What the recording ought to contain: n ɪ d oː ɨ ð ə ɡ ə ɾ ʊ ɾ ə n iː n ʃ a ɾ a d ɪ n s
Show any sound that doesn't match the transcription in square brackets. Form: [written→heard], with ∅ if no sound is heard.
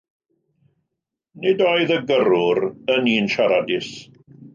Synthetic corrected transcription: n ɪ d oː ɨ ð ə ɡ ə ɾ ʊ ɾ ə n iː n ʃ a ɾ a d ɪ [n→∅] s